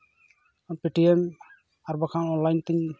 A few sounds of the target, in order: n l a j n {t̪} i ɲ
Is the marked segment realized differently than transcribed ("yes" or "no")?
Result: no